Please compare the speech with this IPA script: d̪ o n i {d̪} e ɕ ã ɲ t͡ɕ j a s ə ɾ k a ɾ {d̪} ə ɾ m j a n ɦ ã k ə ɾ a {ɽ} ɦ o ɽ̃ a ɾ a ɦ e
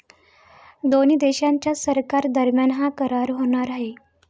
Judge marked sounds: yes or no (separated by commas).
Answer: yes, yes, no